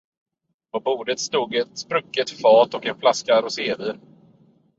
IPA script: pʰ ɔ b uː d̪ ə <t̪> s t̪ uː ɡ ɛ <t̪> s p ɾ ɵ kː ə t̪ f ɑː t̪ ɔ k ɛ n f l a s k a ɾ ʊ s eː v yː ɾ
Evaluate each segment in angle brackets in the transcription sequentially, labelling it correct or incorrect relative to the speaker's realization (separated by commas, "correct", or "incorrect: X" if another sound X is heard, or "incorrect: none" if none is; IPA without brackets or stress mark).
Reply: correct, correct